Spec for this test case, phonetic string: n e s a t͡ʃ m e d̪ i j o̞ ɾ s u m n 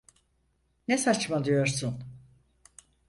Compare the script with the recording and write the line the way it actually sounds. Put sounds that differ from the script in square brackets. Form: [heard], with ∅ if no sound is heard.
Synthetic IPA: n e s a t͡ʃ m [a] d̪ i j o̞ ɾ s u [∅] n